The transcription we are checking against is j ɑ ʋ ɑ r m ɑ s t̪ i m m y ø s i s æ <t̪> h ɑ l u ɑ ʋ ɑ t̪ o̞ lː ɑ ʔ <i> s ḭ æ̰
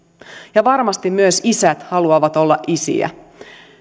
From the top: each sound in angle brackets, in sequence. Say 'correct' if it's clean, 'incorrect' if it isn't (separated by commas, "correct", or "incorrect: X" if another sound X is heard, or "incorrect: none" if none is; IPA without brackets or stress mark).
correct, correct